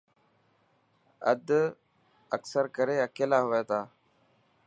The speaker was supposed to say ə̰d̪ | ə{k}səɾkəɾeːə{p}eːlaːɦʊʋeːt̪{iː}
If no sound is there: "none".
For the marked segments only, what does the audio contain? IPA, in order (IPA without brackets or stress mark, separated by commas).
k, k, aː